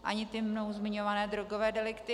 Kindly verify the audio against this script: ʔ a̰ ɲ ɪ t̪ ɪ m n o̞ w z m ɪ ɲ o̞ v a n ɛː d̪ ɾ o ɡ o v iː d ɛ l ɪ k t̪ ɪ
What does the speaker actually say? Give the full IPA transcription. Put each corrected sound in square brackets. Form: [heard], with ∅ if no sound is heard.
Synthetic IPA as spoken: ʔ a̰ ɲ ɪ t̪ ɪ m n o̞ w z m ɪ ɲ o̞ v a n ɛː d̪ ɾ o ɡ o v [ɛː] d ɛ l ɪ k t̪ ɪ